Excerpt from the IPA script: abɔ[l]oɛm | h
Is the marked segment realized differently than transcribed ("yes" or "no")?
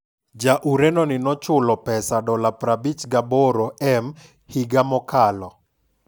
yes